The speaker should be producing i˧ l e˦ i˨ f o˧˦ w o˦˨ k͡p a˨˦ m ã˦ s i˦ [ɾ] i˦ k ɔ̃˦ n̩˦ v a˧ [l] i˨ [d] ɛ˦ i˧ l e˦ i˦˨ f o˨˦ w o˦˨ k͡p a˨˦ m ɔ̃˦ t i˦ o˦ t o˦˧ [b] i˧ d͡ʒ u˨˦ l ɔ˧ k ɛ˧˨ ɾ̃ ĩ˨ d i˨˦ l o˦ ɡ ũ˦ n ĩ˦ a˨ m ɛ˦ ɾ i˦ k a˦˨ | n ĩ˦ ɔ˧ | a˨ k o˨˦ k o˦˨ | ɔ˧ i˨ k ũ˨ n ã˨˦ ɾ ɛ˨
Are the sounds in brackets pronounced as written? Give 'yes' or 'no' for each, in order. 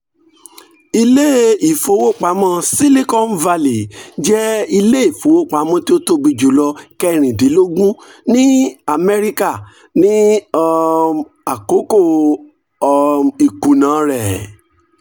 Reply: no, yes, no, yes

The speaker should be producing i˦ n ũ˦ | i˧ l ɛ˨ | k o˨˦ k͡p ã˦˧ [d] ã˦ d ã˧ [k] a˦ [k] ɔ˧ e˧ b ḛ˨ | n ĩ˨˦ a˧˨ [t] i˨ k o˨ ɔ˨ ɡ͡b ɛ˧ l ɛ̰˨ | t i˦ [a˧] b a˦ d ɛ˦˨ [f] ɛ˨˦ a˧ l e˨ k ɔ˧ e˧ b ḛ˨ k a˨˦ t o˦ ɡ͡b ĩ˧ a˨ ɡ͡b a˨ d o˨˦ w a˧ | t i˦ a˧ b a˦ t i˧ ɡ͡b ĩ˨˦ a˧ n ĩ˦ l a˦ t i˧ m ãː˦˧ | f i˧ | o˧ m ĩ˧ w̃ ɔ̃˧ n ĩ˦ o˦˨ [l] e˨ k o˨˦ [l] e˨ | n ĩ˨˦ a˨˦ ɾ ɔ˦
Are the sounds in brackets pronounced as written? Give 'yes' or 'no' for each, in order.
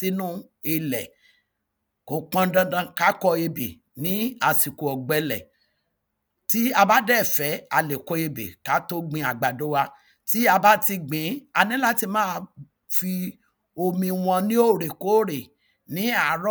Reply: yes, yes, yes, no, yes, yes, no, no

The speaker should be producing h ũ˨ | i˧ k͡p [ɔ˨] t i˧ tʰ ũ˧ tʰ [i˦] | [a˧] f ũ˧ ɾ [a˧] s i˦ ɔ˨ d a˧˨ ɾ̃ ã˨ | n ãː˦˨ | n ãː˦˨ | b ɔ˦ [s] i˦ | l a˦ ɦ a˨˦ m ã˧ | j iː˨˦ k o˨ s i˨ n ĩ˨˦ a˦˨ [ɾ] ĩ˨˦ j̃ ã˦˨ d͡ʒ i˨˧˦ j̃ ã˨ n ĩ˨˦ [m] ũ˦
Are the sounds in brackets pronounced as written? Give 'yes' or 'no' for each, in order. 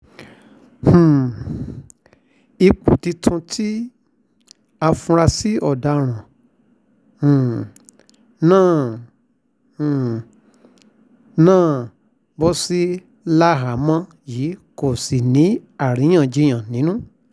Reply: no, yes, yes, yes, yes, yes, no

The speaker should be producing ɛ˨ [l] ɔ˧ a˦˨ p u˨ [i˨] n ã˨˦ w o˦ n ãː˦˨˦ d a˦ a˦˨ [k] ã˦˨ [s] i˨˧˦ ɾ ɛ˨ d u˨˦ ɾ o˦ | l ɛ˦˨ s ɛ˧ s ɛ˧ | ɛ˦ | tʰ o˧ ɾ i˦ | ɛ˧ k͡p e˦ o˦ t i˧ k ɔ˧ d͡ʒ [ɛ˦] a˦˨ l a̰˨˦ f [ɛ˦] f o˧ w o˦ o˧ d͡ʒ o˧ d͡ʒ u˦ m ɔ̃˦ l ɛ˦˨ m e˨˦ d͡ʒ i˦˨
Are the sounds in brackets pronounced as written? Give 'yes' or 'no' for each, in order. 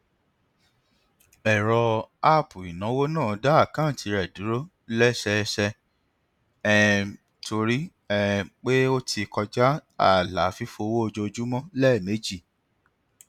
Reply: no, yes, yes, no, no, no

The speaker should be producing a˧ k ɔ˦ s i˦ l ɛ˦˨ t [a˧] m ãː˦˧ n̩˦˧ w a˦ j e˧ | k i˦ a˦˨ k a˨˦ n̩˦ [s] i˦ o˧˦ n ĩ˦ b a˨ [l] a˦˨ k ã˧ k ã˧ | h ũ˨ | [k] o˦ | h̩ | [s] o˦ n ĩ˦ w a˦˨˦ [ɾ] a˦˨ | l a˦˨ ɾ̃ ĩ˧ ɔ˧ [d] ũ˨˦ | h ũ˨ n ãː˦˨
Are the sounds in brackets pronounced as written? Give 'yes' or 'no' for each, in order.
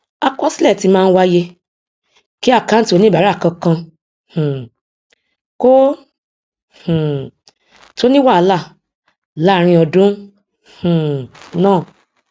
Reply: no, no, no, yes, no, no, yes

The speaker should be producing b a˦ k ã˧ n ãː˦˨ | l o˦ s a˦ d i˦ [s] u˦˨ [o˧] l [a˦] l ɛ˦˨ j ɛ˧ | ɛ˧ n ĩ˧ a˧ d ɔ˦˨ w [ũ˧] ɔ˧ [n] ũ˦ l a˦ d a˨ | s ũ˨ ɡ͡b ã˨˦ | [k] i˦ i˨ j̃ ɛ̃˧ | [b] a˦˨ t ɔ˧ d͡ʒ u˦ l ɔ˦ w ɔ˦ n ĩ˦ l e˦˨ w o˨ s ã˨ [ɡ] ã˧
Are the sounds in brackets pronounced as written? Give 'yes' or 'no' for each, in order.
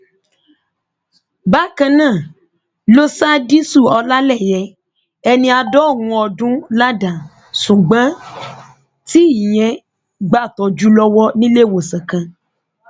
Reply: yes, no, yes, yes, no, no, no, no

